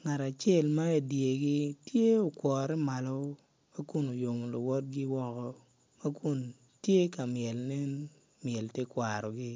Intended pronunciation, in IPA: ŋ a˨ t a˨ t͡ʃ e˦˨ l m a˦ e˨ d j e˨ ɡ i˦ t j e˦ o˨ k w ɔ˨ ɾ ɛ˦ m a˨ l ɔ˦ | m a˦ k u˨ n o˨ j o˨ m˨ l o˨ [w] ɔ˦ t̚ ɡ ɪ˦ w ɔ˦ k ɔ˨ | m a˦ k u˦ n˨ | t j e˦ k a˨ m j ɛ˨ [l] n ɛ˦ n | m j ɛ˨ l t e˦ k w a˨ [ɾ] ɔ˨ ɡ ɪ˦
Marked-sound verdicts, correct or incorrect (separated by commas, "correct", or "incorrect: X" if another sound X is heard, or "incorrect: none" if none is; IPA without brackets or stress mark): correct, correct, correct